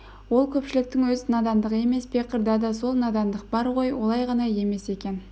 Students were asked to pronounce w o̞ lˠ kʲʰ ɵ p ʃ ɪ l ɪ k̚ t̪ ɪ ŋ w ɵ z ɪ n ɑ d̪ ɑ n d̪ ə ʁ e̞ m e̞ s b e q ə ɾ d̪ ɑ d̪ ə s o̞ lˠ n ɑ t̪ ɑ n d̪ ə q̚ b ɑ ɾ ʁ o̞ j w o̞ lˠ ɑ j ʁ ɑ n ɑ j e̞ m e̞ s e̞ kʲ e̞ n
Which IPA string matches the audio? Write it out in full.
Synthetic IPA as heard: w o̞ lˠ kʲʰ ɵ p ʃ ɪ l ɪ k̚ t̪ ɪ ŋ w ɵ z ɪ n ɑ d̪ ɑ n d̪ ə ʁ e̞ m e̞ s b e q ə ɾ d̪ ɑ d̪ ɑ s o̞ lˠ n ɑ d̪ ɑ n d̪ ə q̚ b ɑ ɾ ʁ o̞ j w o̞ lˠ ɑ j ʁ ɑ n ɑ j e̞ m e̞ s e̞ kʲ e̞ n